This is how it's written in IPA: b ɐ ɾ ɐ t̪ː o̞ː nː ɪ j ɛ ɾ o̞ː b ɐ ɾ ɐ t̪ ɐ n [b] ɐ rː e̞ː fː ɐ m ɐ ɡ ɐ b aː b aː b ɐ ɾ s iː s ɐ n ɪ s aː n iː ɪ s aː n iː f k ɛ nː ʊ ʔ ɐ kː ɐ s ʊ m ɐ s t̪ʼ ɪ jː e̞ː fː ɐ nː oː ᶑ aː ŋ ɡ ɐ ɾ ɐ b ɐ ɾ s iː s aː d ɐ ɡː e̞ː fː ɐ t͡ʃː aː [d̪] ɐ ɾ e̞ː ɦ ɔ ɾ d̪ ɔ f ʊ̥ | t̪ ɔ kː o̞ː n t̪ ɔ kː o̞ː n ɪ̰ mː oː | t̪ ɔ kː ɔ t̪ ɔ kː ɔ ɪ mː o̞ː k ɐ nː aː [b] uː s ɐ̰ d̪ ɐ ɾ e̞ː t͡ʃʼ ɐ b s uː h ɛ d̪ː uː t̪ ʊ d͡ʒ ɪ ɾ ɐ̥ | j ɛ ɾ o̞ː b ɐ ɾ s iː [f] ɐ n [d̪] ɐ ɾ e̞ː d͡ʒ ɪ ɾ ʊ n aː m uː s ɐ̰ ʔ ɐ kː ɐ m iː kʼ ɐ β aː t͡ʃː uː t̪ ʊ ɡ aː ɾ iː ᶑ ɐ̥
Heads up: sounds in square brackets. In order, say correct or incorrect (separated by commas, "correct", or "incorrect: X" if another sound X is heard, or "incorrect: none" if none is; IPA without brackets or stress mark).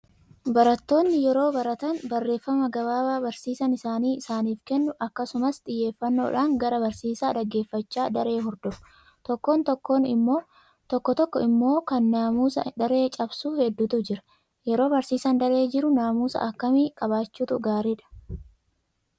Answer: correct, correct, incorrect: m, incorrect: s, correct